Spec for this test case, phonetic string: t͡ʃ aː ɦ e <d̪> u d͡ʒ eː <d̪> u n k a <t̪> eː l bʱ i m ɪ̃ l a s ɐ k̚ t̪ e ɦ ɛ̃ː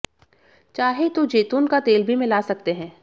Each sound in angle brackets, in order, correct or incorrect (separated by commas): incorrect, incorrect, correct